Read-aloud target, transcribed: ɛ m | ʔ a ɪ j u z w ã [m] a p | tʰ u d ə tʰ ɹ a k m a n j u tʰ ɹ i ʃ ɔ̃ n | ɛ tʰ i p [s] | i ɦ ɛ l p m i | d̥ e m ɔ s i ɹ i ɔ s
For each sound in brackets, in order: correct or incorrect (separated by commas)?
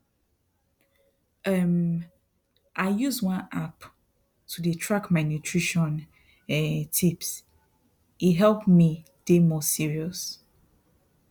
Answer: incorrect, correct